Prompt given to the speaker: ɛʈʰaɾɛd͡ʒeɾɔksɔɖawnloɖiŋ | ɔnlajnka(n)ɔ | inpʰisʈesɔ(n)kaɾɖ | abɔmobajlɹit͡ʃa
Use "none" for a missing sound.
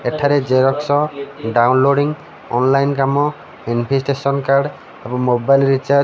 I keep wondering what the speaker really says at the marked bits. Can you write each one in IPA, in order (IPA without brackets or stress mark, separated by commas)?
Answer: m, n